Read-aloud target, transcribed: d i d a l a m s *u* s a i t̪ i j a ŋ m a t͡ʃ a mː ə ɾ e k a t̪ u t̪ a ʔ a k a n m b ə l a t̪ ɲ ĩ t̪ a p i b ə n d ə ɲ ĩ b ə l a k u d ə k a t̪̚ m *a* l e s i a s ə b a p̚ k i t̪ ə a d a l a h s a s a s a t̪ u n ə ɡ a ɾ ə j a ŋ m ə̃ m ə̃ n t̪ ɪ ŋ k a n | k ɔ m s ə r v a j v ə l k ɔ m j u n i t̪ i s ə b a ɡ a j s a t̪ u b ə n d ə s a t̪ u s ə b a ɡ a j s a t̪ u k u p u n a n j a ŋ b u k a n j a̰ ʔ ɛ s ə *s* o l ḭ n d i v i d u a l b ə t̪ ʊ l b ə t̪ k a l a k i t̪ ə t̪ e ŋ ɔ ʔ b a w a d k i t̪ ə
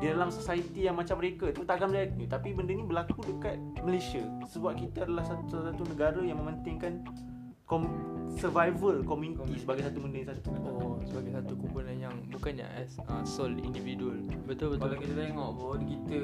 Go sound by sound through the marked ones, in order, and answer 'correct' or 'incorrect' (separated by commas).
incorrect, incorrect, correct